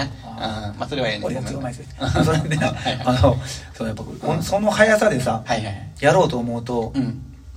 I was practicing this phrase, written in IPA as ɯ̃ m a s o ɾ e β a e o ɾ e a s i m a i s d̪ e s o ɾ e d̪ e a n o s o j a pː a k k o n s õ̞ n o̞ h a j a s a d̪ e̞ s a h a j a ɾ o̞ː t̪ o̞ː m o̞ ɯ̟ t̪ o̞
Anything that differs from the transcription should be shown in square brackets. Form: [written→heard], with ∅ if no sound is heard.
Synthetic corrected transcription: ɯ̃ m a s o ɾ e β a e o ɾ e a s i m a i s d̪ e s o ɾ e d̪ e a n o s o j a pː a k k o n s [õ̞→o̞] n o̞ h a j a s a d̪ e̞ s a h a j a ɾ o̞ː t̪ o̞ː m o̞ ɯ̟ t̪ o̞